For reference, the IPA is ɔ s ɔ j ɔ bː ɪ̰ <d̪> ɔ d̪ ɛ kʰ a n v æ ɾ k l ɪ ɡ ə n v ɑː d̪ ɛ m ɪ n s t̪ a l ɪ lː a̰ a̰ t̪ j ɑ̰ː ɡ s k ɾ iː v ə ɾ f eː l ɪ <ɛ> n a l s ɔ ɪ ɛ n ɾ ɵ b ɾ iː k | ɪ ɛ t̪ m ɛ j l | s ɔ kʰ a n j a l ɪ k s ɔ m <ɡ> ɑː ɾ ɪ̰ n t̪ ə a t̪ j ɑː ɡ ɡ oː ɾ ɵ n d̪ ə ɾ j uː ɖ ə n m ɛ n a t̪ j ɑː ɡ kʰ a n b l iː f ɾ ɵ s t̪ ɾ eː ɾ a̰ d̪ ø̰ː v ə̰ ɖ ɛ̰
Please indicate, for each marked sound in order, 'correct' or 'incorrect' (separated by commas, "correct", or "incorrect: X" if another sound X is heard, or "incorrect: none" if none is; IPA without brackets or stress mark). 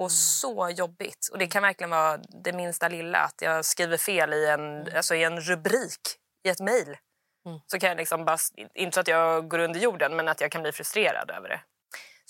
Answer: incorrect: t̪, correct, incorrect: b